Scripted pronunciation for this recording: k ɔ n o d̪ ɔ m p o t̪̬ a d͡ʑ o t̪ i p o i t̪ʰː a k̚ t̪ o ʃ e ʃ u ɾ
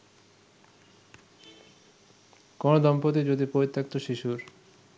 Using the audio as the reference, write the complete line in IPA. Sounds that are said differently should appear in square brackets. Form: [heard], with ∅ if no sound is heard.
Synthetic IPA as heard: k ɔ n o d̪ ɔ m p o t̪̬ [i] d͡ʑ o [d̪] i p o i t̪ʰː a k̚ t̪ o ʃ [i] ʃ u ɾ